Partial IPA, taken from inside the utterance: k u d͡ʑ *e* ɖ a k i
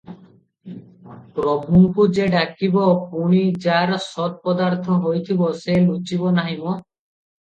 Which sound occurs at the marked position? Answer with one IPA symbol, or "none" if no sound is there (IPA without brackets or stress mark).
e